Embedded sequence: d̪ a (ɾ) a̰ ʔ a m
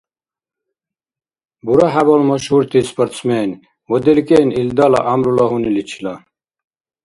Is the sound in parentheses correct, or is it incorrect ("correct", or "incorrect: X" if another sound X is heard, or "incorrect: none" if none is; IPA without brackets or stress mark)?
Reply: incorrect: l